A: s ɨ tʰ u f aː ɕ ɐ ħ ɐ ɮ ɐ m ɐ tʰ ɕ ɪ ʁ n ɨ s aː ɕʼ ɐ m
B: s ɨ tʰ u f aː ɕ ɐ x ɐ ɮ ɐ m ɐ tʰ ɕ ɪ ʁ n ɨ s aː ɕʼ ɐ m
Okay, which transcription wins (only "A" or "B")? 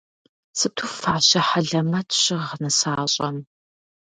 A